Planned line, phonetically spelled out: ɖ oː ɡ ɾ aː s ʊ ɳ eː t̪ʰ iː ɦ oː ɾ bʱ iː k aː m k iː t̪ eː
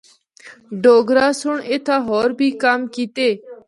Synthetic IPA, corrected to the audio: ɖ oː ɡ ɾ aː s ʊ ɳ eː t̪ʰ aː ɦ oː ɾ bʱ iː k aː m k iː t̪ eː

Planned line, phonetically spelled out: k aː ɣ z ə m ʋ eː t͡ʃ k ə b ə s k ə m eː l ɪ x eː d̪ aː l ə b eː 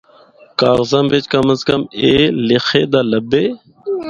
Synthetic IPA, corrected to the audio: k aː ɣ z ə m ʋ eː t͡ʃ k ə m ə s k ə m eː l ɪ x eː d̪ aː l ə b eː

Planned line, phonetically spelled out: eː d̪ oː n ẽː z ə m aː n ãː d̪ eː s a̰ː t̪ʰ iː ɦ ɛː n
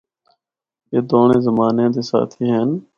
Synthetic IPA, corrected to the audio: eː d̪ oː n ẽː z ə m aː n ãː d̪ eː s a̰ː t̪ʰ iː ɦ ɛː n

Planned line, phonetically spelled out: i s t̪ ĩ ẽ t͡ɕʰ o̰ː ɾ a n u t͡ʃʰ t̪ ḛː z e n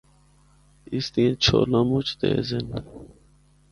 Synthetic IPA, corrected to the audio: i s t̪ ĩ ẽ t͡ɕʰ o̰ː l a m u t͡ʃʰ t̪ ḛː z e n

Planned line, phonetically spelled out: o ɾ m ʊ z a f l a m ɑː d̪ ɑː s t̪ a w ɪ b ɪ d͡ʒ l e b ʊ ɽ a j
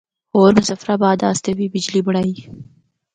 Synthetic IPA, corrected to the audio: o ɾ m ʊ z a f ɾ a b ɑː d̪ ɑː s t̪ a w i b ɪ d͡ʒ l i b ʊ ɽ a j

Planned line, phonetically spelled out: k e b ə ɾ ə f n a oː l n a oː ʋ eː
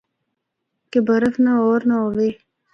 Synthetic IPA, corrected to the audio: k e b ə ɾ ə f n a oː ɾ n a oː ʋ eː

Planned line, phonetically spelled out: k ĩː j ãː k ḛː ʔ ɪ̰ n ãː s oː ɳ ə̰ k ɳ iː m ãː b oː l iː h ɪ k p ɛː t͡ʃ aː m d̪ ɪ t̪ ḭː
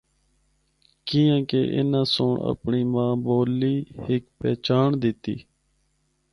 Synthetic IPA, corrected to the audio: k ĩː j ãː k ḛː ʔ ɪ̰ n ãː s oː ɳ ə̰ p ɳ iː m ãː b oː l iː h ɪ k p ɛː t͡ʃ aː ɳ d̪ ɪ t̪ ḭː

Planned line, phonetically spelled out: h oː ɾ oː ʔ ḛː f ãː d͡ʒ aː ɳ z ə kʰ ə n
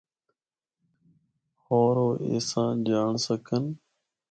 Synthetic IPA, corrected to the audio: h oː ɾ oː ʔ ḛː s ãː d͡ʒ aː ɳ s ə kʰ ə n

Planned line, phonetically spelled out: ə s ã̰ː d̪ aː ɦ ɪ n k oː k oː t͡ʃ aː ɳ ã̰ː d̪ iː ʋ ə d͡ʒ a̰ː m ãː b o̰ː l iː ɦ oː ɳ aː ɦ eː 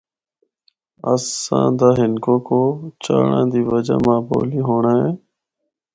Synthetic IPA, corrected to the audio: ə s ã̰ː d̪ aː ɦ ɪ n k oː k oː t͡ʃ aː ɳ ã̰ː d̪ iː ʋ ə d͡ʒ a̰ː m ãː b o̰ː l iː ɦ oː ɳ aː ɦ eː

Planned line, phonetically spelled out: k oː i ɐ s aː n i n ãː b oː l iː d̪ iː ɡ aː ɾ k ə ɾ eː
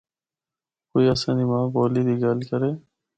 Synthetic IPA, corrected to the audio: k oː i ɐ s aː n i m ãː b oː l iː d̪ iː ɡ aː l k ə ɾ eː

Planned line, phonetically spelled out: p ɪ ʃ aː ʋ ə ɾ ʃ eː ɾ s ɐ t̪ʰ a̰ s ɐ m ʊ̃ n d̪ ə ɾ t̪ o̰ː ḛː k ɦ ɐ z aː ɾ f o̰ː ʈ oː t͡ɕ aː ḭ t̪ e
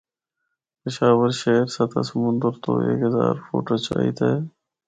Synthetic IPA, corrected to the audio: p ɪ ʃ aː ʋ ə ɾ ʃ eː ɾ s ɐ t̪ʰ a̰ s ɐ m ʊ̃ n d̪ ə ɾ t̪ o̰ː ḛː k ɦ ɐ z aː ɾ f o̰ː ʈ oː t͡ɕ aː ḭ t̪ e

